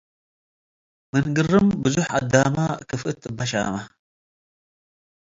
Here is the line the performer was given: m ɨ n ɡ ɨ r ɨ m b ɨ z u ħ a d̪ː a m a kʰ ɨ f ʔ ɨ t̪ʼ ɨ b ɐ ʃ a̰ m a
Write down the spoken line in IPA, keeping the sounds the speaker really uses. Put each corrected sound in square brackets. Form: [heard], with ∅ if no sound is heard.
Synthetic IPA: m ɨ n ɡ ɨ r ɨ m b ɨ z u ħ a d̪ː a m a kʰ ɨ f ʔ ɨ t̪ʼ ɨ b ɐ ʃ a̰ m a